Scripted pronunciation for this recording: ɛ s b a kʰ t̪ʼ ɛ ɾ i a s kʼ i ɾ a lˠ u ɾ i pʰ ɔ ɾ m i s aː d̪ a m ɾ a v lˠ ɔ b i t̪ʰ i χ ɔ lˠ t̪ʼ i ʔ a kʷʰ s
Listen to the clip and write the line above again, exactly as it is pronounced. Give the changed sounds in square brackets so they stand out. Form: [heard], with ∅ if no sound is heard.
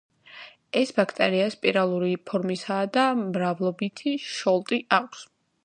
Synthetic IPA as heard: ɛ s b a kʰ t̪ʼ ɛ ɾ i a s [pʼ] i ɾ a lˠ u ɾ i pʰ ɔ ɾ m i s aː d̪ a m ɾ a v lˠ ɔ b i t̪ʰ i [ʃ] ɔ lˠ t̪ʼ i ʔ a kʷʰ s